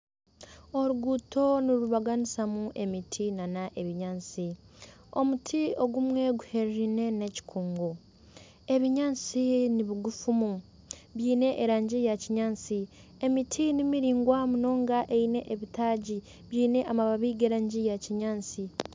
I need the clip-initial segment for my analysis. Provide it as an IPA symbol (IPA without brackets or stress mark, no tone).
o̞